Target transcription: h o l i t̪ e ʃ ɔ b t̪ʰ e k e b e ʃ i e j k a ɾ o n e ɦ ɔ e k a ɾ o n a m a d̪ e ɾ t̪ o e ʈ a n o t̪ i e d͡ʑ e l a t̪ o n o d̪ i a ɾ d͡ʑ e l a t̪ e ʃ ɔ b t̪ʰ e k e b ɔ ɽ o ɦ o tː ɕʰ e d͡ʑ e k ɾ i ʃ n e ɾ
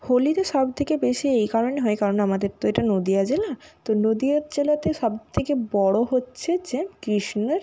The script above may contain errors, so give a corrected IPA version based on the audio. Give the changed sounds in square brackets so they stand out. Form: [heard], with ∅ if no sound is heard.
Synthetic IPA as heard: h o l i t̪ e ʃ ɔ b t̪ʰ e k e b e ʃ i e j k a ɾ o n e ɦ ɔ e k a ɾ o n a m a d̪ e ɾ t̪ o e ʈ a n o [d̪] i [a] d͡ʑ e l a t̪ o n o d̪ i a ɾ d͡ʑ e l a t̪ e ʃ ɔ b t̪ʰ e k e b ɔ ɽ o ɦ o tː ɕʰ e d͡ʑ e k ɾ i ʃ n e ɾ